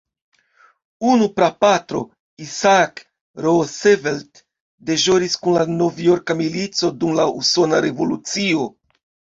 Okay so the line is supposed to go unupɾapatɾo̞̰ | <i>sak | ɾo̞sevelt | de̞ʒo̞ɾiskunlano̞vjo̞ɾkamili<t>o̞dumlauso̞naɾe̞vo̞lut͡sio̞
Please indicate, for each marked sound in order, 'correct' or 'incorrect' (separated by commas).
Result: correct, incorrect